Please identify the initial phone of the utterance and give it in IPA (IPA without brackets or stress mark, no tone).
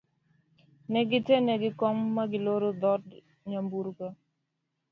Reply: n